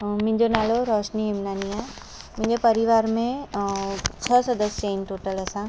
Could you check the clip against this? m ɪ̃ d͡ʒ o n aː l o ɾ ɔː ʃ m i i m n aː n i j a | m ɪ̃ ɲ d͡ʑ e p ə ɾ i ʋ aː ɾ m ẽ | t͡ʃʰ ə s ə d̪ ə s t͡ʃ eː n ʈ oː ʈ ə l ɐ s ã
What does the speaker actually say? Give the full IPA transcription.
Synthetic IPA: m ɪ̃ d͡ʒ o n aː l o ɾ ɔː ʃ n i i m n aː n i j a | m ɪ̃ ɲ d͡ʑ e p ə ɾ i ʋ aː ɾ m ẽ | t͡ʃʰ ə s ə d̪ ə s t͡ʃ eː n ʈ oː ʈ ə l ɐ s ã